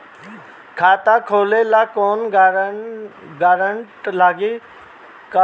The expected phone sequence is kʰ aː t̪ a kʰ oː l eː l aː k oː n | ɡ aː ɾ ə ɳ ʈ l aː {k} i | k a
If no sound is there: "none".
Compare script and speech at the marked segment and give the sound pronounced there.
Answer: ɡ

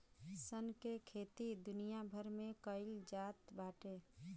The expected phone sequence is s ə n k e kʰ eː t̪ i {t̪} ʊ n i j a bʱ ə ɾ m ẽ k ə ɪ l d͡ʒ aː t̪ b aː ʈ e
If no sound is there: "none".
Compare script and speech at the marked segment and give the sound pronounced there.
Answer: d̪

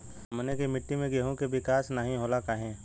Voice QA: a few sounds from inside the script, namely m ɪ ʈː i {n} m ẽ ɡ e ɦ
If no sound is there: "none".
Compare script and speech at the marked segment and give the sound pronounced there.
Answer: none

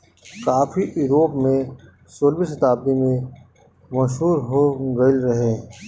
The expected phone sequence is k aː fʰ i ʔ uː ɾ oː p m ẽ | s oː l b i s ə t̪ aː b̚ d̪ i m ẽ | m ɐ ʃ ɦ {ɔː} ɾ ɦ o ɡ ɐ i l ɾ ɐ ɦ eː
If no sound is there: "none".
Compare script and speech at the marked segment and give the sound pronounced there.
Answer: uː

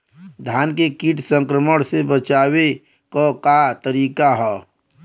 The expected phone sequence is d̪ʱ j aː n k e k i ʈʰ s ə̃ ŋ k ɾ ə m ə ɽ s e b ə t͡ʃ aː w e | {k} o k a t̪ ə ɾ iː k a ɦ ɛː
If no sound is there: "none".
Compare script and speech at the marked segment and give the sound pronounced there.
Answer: k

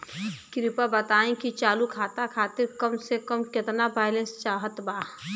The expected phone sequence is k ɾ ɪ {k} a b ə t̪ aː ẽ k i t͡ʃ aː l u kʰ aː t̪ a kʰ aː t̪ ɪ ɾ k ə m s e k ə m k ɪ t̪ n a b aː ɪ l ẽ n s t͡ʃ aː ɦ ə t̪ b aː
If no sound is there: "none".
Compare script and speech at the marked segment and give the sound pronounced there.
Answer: p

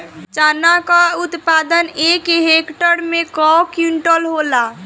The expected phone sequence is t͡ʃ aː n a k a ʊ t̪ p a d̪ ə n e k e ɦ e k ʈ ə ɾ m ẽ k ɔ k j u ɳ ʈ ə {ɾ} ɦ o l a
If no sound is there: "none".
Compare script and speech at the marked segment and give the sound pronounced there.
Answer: l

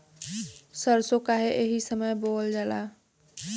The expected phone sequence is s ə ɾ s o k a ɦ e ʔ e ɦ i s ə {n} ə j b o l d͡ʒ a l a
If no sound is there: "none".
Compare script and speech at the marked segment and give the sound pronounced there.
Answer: m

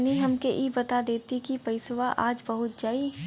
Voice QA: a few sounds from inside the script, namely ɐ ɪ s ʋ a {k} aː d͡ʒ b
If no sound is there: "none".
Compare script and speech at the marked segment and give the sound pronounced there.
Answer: ʔ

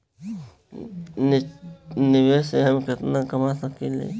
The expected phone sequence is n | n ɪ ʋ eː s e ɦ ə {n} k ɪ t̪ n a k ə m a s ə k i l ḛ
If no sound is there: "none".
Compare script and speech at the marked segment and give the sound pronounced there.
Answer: m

